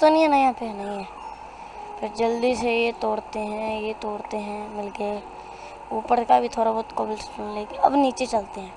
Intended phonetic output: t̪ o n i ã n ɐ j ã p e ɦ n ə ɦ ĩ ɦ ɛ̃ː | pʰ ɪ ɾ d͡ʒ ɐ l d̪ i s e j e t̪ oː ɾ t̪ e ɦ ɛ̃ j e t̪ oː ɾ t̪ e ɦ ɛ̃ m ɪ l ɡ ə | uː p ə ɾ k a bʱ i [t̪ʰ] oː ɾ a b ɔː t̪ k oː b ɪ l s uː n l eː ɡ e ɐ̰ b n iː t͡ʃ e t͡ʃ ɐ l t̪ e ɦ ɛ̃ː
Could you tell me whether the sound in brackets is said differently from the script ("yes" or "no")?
no